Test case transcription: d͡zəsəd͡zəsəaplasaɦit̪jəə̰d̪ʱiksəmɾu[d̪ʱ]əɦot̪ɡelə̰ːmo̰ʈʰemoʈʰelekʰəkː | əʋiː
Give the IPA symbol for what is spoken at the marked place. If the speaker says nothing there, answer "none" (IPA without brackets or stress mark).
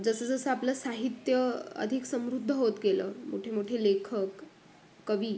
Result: d̪ʱː